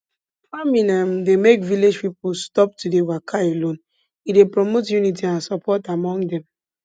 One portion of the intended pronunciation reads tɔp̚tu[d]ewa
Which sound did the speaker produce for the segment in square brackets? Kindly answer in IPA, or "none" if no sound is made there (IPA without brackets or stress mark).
d